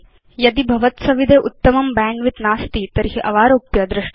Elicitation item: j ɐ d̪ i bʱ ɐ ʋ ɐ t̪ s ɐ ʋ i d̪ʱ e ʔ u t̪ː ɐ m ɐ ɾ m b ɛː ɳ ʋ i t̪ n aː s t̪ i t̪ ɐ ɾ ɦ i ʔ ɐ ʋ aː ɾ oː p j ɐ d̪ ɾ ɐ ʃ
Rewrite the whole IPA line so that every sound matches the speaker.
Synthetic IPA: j ɐ d̪ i bʱ ɐ ʋ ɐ t̪ s ɐ ʋ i d̪ʱ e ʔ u t̪ː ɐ m ɐ m b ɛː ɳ ʋ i t̪ n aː s t̪ i t̪ ɐ ɾ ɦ i ʔ ɐ ʋ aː ɾ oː p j ɐ d̪ ɾ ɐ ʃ